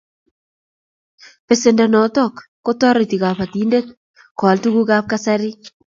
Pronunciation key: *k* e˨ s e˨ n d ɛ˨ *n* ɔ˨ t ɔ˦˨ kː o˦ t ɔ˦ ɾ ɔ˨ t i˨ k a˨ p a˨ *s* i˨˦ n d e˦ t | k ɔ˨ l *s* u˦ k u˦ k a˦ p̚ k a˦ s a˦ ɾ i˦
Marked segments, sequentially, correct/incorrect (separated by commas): incorrect, correct, incorrect, incorrect